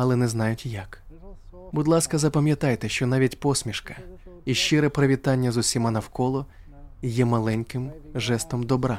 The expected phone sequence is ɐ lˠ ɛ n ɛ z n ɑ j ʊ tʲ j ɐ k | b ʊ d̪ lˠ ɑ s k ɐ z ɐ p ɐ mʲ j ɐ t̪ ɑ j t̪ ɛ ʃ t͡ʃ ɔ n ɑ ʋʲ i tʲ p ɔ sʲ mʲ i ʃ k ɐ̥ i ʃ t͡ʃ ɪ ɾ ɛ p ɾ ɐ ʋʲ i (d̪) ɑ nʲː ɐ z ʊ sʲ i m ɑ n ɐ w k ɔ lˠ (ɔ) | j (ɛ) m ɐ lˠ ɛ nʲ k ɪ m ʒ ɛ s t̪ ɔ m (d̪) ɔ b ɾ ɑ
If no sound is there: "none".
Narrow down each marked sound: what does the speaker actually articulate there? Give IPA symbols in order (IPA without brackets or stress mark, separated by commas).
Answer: t̪, ɔ, ɛ, d̪